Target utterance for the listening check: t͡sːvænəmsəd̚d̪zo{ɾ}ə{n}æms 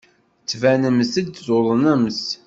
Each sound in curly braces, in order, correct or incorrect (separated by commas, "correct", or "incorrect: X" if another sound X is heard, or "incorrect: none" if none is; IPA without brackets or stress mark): incorrect: l, correct